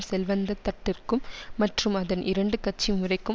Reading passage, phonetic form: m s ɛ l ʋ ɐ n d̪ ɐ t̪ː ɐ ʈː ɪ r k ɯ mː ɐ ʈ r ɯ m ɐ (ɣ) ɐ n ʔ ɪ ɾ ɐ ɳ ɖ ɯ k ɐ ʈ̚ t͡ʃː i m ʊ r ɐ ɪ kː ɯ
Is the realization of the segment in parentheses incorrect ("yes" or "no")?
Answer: yes